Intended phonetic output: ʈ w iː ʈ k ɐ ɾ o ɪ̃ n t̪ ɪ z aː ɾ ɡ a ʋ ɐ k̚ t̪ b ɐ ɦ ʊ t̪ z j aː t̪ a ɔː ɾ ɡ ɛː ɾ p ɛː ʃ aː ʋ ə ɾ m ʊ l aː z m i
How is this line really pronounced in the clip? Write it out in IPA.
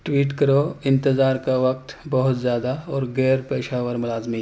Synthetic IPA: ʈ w iː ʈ k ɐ ɾ o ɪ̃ n t̪ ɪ z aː ɾ k a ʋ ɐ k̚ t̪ b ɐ ɦ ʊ t̪ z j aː d̪ a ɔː ɾ ɡ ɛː ɾ p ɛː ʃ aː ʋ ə ɾ m ʊ l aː z m i